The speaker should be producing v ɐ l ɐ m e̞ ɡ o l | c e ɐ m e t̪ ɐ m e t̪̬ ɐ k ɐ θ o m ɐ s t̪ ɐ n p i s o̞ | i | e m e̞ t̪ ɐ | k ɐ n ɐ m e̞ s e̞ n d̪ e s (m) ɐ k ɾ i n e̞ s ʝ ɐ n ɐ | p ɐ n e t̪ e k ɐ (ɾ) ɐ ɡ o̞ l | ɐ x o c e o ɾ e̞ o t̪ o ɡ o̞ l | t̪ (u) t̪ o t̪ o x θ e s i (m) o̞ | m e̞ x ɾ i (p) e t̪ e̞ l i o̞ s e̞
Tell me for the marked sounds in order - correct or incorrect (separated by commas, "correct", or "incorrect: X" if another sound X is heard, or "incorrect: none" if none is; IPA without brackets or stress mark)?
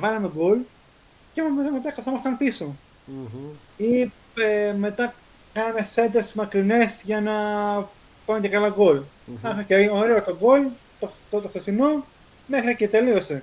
correct, incorrect: l, incorrect: o, incorrect: n, incorrect: c